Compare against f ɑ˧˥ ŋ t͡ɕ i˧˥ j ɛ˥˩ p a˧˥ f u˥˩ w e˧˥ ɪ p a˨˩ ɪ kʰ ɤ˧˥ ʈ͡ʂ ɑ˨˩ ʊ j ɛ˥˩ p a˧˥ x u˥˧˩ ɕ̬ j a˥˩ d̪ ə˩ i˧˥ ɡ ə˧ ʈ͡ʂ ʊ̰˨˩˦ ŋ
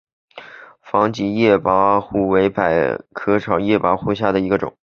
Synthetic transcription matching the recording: f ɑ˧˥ ŋ t͡ɕ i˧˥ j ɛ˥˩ p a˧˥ x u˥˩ w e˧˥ ɪ p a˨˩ ɪ kʰ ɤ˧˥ ʈ͡ʂʰ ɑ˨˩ ʊ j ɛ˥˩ p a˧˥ x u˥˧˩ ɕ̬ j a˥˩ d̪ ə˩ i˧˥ ɡ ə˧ ʈ͡ʂ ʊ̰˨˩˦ ŋ